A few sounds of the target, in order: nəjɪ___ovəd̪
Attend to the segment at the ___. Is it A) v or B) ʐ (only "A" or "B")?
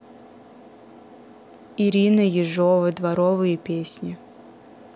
B